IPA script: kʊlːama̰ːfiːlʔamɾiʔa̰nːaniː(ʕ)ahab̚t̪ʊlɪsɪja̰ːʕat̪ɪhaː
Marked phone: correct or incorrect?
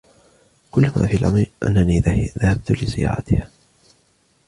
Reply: incorrect